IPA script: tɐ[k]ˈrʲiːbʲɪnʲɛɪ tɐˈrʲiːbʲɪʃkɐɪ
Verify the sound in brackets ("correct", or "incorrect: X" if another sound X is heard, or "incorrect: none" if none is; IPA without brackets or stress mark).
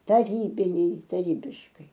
incorrect: none